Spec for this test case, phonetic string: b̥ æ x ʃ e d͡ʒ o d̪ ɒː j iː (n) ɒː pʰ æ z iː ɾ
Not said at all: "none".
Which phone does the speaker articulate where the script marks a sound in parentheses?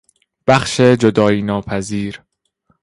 n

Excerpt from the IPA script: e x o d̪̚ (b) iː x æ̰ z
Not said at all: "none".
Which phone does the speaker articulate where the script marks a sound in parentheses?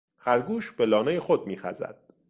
m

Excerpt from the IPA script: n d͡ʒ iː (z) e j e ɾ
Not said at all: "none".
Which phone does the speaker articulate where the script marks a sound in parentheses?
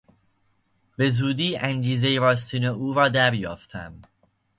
z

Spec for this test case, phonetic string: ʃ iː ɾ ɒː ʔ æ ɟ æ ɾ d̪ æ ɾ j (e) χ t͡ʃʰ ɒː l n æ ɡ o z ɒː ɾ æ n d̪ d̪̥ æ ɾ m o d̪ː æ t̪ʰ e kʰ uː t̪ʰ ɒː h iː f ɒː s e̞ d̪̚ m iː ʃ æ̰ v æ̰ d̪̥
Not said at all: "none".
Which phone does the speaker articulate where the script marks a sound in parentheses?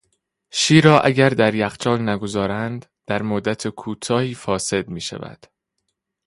æ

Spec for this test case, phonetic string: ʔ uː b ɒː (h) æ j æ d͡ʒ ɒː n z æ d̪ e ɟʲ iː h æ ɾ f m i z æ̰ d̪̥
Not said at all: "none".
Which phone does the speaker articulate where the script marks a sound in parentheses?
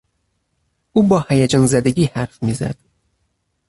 h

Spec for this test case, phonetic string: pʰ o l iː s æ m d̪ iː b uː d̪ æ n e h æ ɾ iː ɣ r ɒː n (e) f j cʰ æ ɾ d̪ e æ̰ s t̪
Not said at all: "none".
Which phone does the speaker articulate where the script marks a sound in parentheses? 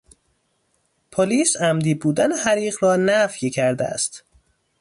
æ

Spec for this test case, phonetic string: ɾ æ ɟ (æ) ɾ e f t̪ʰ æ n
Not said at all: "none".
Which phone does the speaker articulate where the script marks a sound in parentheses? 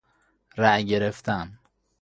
e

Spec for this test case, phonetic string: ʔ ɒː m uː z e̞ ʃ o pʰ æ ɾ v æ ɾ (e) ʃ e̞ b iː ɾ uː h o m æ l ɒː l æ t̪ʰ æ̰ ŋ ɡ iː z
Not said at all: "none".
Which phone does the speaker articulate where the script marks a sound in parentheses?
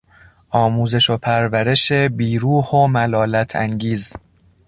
e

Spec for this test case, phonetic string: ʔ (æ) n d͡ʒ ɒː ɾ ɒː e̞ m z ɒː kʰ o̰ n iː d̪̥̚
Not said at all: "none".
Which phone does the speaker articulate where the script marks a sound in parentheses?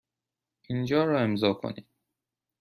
i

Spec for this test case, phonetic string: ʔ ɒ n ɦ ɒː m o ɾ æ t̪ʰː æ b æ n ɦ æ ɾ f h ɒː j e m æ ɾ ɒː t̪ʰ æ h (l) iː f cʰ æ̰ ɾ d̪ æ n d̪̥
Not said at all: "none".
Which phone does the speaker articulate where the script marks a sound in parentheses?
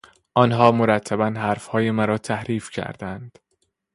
ɾ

